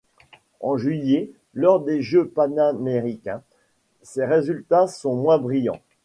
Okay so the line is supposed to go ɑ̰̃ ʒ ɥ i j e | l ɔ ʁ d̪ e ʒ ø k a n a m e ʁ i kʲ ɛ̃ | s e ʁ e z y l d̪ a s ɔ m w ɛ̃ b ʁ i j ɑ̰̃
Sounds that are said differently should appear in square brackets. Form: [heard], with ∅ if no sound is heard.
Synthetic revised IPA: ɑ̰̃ ʒ ɥ i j e | l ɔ ʁ d̪ e ʒ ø [p] a n a m e ʁ i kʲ ɛ̃ | s e ʁ e z y l [t̪] a s [ɔ̃] m w ɛ̃ b ʁ i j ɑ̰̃